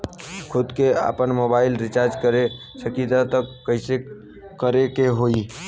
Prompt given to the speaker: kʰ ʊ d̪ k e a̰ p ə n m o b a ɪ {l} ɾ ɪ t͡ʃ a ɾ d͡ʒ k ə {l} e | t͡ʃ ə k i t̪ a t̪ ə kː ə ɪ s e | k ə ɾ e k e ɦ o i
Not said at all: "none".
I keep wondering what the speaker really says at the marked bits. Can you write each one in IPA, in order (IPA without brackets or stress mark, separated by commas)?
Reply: l, ɾ